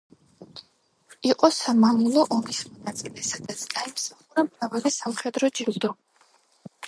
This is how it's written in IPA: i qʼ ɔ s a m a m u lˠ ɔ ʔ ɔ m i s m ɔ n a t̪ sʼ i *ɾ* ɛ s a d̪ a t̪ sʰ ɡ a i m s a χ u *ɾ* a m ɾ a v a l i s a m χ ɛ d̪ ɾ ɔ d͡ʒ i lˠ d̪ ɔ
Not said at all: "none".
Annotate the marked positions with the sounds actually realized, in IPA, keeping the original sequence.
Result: l, ɾ

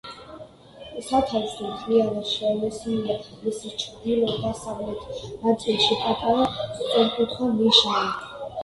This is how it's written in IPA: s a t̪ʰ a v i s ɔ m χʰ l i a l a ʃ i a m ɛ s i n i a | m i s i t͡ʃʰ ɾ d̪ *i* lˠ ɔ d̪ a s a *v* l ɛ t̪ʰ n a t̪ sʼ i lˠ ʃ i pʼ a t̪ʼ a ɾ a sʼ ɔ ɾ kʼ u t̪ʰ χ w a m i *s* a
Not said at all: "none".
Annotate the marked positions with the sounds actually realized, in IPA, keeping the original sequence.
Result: i, ʁ, ʃ

